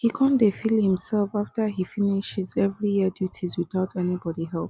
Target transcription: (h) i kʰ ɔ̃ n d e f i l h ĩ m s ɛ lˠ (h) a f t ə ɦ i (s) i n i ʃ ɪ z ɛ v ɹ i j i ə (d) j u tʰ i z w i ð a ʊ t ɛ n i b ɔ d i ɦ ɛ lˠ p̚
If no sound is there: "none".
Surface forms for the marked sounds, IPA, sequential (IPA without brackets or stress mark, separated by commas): h, f, f, d